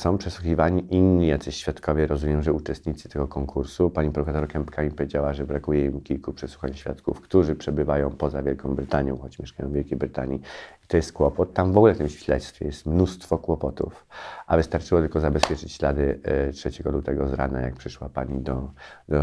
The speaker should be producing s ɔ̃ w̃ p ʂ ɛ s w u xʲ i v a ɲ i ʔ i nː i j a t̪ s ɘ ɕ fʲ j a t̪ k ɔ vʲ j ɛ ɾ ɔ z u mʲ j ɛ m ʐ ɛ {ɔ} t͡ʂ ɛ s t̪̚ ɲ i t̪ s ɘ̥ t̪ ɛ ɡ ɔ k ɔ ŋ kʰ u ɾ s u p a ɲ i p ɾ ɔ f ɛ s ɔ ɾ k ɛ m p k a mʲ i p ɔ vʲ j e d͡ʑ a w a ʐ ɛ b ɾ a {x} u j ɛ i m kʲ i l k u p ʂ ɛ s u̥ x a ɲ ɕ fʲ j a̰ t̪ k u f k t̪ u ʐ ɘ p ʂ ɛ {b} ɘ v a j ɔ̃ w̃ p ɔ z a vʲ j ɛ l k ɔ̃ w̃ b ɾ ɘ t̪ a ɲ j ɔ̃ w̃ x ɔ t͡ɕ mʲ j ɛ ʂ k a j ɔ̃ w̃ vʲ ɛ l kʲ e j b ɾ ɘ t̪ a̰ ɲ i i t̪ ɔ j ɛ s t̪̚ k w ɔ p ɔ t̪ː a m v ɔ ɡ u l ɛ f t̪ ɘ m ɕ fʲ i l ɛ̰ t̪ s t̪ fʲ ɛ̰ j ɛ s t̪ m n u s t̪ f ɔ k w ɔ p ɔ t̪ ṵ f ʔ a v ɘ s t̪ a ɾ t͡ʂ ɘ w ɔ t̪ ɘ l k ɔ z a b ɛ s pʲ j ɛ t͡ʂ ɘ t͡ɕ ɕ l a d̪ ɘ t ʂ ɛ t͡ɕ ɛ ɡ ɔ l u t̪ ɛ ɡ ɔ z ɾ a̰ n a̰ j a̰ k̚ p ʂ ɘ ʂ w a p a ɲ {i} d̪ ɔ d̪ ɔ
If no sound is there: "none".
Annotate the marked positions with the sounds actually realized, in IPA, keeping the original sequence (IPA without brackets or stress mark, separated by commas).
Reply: u, k, b, i